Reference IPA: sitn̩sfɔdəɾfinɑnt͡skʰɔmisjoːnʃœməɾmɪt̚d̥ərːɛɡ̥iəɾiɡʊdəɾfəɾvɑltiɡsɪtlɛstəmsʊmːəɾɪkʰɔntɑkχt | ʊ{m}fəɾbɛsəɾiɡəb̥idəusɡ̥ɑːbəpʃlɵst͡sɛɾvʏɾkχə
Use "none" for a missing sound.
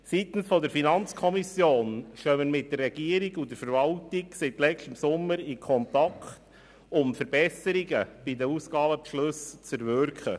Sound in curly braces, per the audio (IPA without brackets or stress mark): m